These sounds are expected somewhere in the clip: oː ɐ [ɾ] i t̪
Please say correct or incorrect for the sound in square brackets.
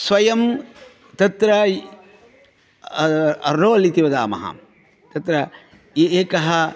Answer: incorrect